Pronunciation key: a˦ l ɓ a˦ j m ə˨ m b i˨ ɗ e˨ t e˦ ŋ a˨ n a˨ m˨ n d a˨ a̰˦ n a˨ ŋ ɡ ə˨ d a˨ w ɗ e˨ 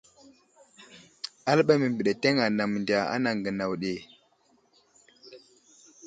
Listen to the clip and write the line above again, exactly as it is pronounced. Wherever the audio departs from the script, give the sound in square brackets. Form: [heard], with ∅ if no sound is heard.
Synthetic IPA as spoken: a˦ l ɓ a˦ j m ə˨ m b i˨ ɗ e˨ t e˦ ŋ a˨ n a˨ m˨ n d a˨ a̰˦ n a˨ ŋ ɡ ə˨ [n] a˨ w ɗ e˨